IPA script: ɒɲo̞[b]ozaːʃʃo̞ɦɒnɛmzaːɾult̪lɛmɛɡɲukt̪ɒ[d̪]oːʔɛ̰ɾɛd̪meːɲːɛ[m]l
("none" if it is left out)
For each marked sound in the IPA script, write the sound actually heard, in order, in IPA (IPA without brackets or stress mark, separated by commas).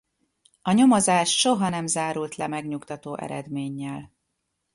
m, t̪, none